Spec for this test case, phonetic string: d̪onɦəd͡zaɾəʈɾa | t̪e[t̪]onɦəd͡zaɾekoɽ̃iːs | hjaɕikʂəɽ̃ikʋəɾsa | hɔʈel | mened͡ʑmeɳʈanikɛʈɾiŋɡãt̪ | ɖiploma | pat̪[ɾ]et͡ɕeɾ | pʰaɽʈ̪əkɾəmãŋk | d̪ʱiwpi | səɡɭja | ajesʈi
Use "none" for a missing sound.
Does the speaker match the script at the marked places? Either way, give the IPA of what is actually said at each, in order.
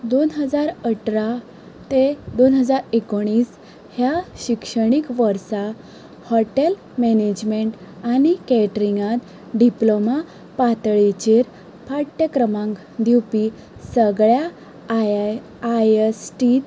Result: d̪, ɭ

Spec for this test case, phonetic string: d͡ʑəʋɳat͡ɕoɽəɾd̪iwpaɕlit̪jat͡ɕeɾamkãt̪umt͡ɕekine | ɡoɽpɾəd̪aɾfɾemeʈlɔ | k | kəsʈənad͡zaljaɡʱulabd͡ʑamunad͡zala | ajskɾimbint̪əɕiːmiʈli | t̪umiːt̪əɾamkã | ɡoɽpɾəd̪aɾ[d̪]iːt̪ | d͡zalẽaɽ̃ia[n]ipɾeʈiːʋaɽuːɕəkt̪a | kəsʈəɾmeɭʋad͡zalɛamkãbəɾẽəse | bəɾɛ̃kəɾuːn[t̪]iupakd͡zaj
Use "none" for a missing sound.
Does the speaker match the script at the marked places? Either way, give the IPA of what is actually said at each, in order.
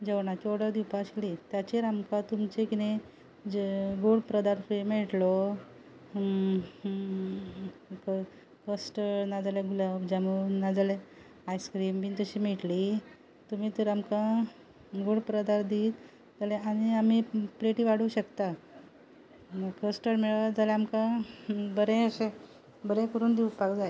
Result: d̪, m, d̪

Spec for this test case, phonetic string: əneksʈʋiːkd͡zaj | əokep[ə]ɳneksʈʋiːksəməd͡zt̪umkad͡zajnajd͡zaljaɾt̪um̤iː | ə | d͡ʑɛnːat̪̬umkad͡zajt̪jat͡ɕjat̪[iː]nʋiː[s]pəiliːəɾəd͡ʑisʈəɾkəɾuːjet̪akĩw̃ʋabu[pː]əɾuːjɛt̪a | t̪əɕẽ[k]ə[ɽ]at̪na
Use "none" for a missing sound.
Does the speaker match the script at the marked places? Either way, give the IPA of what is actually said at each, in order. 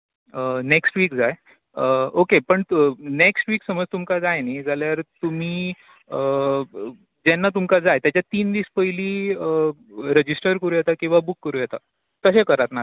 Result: ə, iː, s, kː, k, ɾ

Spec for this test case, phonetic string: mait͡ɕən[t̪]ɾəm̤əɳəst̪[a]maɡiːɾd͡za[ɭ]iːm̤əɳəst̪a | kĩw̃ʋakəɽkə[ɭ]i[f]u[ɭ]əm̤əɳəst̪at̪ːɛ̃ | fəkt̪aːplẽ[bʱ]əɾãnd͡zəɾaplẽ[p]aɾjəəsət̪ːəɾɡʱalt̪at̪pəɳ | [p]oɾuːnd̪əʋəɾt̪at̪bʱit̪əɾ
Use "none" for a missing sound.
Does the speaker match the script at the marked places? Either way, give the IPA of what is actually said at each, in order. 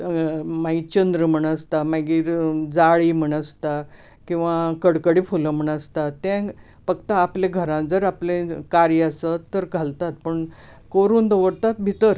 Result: d̪, a, ɭ, ɽ, f, l, ɡʱ, k, k

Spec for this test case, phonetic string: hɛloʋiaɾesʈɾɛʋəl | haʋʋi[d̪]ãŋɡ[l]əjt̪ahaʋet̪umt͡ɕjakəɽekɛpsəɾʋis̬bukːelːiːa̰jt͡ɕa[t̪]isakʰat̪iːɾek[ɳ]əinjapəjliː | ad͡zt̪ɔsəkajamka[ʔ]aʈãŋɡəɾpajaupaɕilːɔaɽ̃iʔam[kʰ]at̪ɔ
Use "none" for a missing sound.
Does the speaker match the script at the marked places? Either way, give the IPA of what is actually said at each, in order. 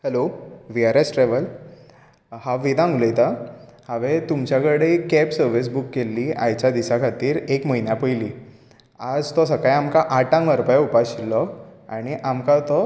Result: d̪, l, d̪, m, ʔ, k

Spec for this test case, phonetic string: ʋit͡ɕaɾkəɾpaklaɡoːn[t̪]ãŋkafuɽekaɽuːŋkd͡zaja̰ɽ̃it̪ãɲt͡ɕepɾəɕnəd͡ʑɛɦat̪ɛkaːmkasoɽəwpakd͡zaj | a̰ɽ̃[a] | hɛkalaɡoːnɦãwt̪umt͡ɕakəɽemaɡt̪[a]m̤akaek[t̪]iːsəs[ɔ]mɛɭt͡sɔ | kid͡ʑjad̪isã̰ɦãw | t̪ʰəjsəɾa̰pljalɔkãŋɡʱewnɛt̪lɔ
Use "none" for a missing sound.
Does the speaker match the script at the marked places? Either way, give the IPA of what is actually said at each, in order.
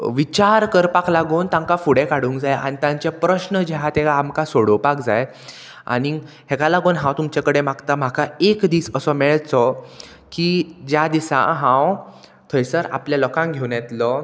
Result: t̪, i, a, d̪, ɔ

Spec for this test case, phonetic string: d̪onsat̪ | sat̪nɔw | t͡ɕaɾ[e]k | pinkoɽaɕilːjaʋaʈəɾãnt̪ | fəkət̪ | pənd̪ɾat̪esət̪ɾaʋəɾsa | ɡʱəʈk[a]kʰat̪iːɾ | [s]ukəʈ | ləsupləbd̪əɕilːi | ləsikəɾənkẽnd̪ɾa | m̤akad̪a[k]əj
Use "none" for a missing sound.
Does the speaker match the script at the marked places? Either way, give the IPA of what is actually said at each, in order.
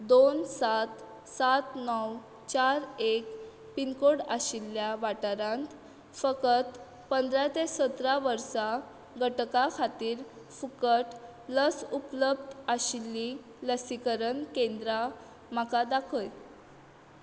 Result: e, a, f, kʰ

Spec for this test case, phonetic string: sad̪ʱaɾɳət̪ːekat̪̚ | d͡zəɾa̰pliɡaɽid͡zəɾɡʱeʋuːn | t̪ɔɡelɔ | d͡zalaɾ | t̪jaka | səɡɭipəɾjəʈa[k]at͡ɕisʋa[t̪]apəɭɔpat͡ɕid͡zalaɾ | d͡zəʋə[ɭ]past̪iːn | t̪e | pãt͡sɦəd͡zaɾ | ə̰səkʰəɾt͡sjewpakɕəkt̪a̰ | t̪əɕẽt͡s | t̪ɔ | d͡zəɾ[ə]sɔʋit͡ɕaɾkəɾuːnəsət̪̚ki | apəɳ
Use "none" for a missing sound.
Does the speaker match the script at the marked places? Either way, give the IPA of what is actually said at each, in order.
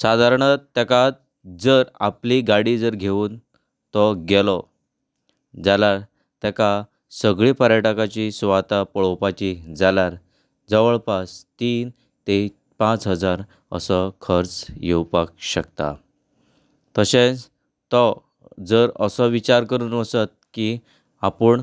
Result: k, t̪, ɭ, ə

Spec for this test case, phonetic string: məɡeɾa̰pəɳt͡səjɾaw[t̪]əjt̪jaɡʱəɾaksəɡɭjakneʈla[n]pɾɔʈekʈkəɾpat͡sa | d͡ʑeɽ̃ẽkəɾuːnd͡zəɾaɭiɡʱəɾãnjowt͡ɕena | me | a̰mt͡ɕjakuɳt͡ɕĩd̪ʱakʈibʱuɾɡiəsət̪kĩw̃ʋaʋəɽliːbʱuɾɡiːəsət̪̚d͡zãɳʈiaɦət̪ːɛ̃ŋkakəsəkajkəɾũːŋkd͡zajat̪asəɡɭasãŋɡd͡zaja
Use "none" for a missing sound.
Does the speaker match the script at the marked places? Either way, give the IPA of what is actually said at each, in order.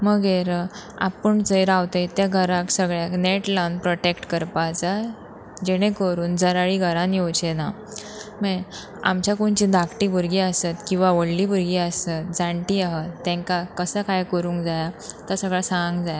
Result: t̪, n

